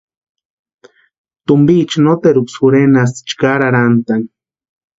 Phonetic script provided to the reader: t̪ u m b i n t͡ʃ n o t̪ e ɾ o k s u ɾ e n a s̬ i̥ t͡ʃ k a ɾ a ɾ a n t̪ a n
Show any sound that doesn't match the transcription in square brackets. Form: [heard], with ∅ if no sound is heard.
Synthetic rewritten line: t̪ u m b i [∅] t͡ʃ n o t̪ e ɾ [u] k s u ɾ e n a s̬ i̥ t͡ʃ k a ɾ a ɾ a n t̪ a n